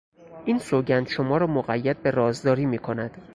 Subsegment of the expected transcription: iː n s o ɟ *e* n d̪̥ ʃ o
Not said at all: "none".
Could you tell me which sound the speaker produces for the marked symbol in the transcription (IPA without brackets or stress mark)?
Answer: æ